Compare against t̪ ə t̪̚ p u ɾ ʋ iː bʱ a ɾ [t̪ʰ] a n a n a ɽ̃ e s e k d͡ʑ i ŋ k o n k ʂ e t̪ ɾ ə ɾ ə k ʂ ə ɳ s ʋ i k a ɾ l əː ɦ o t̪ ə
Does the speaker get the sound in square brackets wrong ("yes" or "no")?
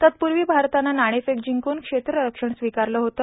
yes